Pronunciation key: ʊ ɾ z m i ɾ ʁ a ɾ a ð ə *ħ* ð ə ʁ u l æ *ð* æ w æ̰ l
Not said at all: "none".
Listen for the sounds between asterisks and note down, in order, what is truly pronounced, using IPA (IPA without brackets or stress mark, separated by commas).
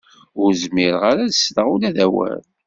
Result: s, ð